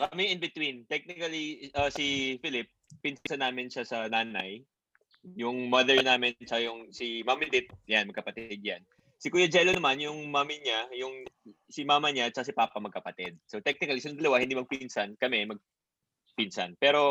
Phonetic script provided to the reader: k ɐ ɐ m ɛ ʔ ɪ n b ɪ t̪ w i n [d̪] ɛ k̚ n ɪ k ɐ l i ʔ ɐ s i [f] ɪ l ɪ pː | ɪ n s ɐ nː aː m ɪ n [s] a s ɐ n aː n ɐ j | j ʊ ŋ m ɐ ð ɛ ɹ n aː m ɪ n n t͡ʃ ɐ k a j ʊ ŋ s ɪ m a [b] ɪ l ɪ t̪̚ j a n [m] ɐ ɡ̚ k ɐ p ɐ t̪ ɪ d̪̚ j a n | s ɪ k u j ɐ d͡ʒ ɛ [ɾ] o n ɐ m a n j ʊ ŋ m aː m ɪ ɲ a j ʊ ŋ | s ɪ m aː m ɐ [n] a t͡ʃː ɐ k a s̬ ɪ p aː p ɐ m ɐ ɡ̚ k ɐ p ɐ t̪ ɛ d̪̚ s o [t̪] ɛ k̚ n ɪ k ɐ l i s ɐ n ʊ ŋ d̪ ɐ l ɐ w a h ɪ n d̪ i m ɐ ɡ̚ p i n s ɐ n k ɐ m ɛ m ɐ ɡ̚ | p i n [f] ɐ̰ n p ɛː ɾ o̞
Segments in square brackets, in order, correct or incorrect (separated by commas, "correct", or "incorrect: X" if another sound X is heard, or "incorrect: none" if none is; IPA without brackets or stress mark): incorrect: t̪, correct, incorrect: ʃ, incorrect: m, correct, incorrect: l, incorrect: ɲ, correct, incorrect: s